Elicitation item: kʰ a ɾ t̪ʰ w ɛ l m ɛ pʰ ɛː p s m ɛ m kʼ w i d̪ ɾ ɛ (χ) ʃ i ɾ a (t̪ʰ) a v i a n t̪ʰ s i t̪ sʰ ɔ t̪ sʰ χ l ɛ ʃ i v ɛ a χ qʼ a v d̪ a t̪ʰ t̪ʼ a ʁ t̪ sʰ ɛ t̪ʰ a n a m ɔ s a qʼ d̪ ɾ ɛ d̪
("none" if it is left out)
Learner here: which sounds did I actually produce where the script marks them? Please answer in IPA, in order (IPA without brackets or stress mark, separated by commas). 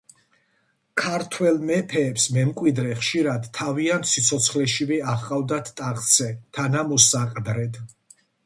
χ, d̪ʰ